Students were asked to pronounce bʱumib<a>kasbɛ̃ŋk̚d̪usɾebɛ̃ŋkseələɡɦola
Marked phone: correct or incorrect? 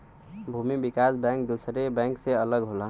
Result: incorrect